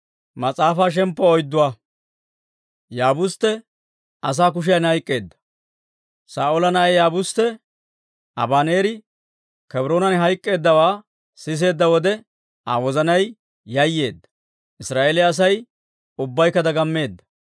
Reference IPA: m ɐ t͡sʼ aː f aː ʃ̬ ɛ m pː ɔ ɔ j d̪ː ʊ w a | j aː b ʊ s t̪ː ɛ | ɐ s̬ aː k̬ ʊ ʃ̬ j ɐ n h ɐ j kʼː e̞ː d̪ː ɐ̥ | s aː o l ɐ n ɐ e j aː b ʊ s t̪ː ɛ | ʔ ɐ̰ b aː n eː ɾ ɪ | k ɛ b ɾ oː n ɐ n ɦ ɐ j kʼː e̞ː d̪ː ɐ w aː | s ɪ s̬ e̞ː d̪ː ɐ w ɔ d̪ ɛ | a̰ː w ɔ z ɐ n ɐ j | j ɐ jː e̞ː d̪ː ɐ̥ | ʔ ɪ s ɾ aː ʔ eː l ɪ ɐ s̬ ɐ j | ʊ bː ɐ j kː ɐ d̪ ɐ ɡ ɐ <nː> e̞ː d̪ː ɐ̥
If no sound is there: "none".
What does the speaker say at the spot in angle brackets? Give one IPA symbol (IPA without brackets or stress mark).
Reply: mː